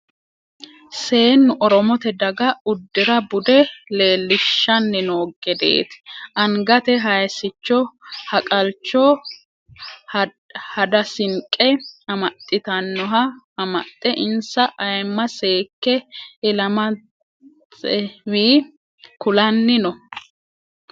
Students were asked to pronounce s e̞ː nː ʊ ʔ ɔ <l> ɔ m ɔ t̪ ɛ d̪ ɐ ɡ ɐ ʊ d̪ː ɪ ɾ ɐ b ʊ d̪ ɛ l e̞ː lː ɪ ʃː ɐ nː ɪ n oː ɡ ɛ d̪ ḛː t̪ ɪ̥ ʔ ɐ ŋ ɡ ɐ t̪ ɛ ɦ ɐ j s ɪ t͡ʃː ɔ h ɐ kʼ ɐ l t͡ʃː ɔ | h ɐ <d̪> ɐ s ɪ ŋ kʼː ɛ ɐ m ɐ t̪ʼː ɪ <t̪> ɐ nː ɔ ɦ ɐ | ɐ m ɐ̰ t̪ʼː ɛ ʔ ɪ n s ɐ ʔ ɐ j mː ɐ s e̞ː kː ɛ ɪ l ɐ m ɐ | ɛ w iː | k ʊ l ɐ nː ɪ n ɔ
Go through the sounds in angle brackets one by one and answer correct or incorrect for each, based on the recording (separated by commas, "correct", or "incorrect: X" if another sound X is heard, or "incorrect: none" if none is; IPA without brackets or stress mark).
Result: incorrect: ɾ, correct, correct